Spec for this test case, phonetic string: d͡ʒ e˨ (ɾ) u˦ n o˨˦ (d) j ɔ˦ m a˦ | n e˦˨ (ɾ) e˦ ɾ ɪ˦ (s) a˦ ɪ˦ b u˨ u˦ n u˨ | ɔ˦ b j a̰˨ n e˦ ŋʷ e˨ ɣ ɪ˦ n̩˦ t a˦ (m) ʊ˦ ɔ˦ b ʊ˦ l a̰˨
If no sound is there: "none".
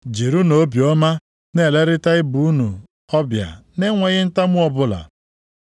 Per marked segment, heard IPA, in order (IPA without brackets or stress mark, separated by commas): ɾ, b, l, t, m